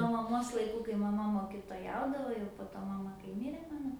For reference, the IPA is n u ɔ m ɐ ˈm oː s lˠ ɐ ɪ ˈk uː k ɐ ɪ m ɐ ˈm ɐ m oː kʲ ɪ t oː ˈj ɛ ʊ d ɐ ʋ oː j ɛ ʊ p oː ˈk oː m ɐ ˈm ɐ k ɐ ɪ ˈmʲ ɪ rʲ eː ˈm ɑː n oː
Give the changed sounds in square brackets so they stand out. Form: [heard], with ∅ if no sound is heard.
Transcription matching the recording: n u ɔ m ɐ ˈm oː s lˠ ɐ ɪ ˈk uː k ɐ ɪ m ɐ ˈm ɐ m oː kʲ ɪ t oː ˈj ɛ ʊ d ɐ ʋ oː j ɛ ʊ p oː [ˈt] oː m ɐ ˈm ɐ k ɐ ɪ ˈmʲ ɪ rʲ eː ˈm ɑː n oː